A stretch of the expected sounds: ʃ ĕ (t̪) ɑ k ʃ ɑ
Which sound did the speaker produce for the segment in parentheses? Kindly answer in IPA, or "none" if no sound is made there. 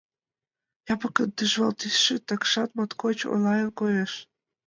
t̪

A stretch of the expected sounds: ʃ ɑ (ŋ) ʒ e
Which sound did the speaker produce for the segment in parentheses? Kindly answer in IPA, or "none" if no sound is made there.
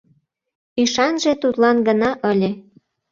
n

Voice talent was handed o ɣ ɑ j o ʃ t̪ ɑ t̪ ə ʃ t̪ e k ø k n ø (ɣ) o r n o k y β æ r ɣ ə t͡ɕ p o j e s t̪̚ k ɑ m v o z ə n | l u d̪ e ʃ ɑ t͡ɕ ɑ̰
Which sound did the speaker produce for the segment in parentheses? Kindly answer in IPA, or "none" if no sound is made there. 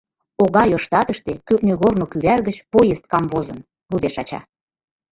ɣ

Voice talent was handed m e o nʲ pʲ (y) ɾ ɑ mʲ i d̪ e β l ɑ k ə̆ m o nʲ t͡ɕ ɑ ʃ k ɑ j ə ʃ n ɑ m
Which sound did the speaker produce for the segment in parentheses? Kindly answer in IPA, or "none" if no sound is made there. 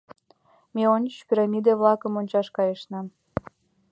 i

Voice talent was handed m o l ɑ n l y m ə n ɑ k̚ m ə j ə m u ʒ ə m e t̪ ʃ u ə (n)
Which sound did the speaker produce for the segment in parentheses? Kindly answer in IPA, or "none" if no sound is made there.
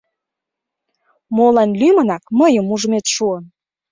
n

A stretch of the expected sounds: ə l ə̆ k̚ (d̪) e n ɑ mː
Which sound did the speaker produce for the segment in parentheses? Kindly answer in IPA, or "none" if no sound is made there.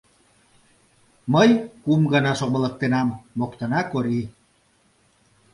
t̪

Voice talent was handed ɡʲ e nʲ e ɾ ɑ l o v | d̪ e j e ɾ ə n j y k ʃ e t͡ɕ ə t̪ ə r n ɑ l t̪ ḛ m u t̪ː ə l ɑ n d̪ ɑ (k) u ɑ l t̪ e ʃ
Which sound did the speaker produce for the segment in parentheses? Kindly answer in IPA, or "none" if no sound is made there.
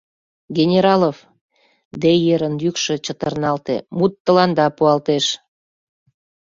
p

